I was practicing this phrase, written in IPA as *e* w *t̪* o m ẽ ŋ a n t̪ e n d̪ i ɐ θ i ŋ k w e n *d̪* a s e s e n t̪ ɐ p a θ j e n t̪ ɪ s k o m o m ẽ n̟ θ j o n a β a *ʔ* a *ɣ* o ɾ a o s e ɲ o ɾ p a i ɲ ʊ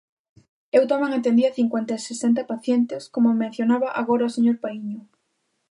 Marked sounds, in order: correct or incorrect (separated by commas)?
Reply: correct, correct, incorrect, correct, correct